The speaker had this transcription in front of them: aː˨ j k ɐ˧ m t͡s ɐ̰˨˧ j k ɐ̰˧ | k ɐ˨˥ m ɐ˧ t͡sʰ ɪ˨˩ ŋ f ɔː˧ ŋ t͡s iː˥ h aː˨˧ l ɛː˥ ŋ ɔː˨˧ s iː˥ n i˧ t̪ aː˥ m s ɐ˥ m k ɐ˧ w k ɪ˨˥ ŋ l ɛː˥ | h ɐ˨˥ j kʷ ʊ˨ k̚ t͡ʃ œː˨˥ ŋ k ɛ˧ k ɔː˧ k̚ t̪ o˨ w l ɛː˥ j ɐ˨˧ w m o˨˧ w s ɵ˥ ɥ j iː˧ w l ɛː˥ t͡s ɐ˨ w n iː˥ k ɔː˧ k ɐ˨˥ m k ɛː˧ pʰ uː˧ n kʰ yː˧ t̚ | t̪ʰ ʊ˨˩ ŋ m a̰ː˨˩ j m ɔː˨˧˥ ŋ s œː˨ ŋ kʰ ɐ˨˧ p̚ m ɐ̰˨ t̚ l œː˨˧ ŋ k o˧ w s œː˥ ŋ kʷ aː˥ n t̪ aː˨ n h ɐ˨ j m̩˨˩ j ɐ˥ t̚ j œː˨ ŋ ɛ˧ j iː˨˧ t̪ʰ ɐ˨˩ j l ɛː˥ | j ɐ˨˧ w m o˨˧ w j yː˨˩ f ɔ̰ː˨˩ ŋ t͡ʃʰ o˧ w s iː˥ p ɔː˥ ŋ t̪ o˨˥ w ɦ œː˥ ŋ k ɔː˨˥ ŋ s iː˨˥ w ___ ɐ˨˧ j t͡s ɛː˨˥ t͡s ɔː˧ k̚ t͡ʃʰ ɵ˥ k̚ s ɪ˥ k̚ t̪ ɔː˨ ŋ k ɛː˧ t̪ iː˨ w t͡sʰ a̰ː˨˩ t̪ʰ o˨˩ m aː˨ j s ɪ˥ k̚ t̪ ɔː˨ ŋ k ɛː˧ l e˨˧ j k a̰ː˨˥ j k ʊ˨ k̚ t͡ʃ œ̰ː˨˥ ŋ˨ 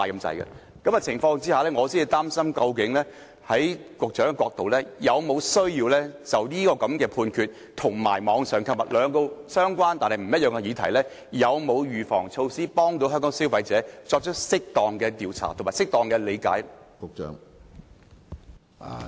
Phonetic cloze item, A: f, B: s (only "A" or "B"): A